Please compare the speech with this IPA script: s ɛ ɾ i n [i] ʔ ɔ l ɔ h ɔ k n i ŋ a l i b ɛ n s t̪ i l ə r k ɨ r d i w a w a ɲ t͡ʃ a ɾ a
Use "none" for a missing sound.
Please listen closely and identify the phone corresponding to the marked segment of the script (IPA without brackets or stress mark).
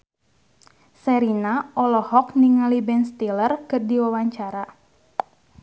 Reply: a